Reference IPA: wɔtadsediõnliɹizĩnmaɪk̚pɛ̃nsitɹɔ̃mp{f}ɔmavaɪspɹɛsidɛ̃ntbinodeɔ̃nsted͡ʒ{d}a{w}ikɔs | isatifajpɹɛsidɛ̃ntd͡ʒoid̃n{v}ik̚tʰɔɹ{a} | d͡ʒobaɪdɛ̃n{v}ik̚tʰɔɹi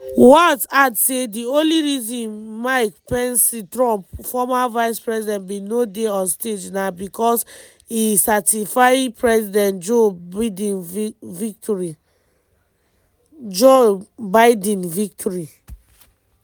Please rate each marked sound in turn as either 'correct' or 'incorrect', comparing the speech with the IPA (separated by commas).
correct, incorrect, incorrect, correct, incorrect, correct